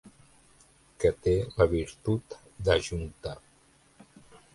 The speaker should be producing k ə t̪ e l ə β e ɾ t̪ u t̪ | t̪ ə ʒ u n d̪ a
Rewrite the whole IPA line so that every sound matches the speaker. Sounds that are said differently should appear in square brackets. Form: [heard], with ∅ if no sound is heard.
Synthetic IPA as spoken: k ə t̪ e l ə β [i] ɾ t̪ u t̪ | [d̪] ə ʒ u n [t̪] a